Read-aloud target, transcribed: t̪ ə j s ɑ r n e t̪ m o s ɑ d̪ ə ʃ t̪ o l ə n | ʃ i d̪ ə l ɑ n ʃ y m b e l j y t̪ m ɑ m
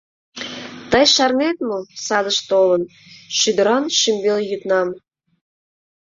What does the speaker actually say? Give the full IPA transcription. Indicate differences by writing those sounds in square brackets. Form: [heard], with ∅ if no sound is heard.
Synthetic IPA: t̪ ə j [ʃ] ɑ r n e t̪ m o s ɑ d̪ ə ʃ t̪ o l ə n | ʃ [y] d̪ ə [ɾ] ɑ n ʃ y m b e l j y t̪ [n] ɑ m